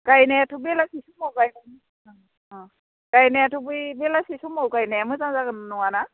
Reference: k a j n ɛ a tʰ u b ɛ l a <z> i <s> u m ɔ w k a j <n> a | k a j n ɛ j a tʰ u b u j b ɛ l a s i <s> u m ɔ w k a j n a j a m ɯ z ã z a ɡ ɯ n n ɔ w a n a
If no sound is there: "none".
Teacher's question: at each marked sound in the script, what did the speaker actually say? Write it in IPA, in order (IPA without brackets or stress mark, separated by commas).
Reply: s, s, n, s